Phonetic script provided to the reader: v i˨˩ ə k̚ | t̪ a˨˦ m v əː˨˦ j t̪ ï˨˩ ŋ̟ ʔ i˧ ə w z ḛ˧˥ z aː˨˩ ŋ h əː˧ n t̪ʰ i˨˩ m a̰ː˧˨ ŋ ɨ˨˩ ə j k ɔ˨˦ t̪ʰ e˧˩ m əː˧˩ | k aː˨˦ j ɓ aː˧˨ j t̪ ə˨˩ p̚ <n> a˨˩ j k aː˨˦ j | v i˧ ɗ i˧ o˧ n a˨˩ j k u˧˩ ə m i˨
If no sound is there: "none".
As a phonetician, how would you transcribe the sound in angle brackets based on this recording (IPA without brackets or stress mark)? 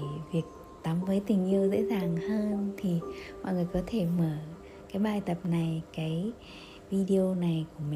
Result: n